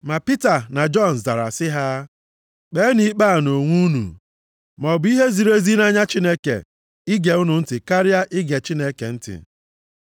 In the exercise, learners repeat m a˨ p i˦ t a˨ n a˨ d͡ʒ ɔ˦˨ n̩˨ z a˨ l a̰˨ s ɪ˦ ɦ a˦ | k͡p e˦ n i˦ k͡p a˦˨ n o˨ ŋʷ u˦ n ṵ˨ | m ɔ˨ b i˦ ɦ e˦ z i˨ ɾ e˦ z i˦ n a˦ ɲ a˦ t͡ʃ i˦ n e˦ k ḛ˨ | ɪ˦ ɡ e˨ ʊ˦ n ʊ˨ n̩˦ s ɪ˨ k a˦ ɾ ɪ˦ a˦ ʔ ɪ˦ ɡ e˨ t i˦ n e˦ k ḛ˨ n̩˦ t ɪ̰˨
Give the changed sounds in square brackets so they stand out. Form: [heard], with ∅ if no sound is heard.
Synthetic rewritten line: m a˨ p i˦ t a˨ n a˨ d͡ʒ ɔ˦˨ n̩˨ z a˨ [ɾ] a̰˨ s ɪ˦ ɦ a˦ | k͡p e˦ n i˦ k͡p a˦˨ n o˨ ŋʷ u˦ n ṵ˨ | m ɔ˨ b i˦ ɦ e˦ z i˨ ɾ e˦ z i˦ n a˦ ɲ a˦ t͡ʃ i˦ n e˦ k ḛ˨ | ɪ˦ ɡ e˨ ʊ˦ n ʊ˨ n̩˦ [t] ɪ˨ k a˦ ɾ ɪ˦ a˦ ʔ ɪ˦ ɡ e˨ [t͡ʃ] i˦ n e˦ k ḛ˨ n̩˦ t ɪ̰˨

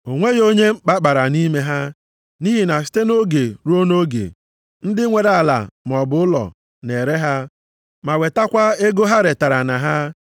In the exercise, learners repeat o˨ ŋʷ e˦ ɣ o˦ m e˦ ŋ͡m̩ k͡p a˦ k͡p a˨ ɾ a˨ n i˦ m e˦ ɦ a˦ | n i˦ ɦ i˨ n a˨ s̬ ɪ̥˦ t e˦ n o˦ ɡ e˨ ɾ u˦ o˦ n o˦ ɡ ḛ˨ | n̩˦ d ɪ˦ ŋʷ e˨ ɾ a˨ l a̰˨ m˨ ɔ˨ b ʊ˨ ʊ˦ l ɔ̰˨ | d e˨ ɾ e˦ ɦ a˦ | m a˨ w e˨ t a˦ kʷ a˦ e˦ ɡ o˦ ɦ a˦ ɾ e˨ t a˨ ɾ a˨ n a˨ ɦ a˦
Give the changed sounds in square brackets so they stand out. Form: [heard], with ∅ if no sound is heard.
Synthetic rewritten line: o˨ ŋʷ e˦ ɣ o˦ [ɲ] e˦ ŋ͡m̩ k͡p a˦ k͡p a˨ ɾ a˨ n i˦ m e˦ ɦ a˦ | n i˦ ɦ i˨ n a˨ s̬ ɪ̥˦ t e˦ n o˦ ɡ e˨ ɾ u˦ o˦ n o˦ ɡ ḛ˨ | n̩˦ d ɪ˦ ŋʷ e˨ ɾ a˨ l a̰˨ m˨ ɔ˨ b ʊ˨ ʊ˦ l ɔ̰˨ | [n] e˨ ɾ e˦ ɦ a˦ | m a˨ w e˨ t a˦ kʷ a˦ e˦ ɡ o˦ ɦ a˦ ɾ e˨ t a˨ ɾ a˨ n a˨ ɦ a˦

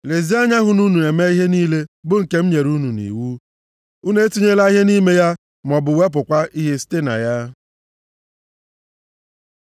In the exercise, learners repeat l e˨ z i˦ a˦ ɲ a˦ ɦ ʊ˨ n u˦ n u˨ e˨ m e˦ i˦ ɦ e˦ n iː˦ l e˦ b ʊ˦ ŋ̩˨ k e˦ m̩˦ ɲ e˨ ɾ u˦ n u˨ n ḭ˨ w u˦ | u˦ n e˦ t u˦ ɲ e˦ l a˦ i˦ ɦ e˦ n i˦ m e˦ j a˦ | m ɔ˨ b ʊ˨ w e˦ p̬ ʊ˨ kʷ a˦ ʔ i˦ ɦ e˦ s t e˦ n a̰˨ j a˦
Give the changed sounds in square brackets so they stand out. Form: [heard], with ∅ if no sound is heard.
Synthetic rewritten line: l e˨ z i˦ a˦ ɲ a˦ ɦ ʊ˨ n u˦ n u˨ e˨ m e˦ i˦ ɦ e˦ n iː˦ l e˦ b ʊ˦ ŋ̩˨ k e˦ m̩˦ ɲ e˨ ɾ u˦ n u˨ n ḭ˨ w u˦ | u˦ n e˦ t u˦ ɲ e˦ l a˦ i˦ ɦ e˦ n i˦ m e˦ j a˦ | m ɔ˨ b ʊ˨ w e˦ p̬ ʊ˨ kʷ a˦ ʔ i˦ ɦ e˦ s t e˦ n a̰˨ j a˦

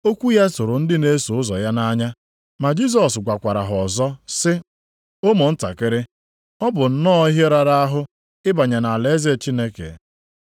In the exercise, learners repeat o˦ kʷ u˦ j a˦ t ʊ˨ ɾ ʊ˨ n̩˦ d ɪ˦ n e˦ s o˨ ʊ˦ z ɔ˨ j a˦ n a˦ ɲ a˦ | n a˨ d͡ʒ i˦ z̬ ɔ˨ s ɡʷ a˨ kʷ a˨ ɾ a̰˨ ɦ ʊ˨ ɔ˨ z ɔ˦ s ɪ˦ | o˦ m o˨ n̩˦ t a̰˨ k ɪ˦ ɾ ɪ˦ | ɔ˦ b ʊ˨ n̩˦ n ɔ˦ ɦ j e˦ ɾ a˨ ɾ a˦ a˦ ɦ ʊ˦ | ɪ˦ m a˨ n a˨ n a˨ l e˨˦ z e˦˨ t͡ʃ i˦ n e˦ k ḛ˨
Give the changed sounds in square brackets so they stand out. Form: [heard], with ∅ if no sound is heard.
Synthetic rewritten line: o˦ kʷ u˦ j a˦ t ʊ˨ ɾ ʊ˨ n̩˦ d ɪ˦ n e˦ s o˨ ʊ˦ z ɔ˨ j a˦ n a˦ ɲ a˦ | [m] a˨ d͡ʒ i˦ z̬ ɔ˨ s ɡʷ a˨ kʷ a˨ ɾ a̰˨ ɦ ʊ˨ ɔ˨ z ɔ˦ s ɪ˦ | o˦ m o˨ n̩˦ t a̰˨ k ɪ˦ ɾ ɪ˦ | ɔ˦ b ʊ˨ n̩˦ n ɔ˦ ɦ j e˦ ɾ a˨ ɾ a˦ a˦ ɦ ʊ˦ | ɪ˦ [b] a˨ [ɲ] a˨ n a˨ l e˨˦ z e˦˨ t͡ʃ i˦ n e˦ k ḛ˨

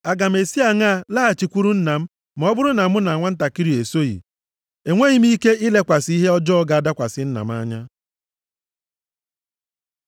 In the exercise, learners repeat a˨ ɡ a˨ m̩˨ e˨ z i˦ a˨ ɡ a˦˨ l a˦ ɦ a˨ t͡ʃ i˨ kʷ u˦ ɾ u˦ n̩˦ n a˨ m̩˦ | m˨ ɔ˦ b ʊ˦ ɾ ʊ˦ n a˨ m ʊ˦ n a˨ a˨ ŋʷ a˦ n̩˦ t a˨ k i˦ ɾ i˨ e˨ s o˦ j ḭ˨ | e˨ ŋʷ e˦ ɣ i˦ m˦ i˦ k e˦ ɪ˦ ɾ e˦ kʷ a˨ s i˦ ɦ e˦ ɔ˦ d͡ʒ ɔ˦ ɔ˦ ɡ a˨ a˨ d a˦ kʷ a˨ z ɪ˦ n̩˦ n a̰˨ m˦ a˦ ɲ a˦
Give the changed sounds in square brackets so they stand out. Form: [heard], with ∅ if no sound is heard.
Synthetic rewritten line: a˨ ɡ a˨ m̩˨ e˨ [s] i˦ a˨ [ŋ] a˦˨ l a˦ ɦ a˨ t͡ʃ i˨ kʷ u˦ ɾ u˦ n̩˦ n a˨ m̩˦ | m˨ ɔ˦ b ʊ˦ ɾ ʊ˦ n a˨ m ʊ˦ n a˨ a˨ ŋʷ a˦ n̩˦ t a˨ k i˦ ɾ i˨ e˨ s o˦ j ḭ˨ | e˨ ŋʷ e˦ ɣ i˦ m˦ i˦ k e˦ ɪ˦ [l] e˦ kʷ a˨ s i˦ ɦ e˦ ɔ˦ d͡ʒ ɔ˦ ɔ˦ ɡ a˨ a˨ d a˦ kʷ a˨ [s] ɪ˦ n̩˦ n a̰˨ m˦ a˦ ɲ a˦

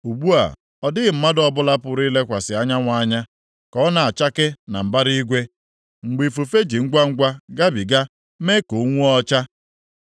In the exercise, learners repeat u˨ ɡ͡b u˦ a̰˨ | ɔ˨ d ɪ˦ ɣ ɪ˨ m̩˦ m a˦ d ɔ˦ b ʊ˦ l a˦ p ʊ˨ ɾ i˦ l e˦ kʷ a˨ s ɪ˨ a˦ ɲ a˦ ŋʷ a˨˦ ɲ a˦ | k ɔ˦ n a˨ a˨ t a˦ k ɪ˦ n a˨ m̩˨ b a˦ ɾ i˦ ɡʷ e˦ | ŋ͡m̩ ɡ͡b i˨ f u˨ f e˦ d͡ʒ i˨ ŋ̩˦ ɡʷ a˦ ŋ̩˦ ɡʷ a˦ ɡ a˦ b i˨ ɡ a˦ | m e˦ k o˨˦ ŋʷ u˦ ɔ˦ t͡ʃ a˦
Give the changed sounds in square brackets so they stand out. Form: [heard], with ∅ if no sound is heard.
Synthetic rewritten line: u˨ ɡ͡b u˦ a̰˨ | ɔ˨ d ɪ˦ ɣ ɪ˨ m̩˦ m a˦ d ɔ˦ b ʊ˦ l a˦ p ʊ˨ ɾ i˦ l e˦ kʷ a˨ s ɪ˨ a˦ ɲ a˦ ŋʷ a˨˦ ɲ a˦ | k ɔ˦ n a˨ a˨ [t͡ʃ] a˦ k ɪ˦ n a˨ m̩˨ b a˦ ɾ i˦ ɡʷ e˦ | ŋ͡m̩ ɡ͡b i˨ f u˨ f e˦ d͡ʒ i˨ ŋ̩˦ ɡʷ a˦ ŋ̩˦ ɡʷ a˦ ɡ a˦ b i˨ ɡ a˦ | m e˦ k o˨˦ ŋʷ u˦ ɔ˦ t͡ʃ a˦

